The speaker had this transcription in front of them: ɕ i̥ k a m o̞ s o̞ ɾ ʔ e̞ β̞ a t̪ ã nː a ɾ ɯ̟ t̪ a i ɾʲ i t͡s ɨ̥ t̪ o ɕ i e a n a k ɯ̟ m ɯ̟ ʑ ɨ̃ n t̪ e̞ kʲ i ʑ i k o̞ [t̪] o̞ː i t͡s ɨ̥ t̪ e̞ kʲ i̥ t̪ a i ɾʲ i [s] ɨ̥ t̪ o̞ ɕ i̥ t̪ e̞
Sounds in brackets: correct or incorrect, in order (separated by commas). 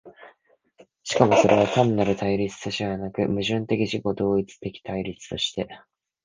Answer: incorrect, incorrect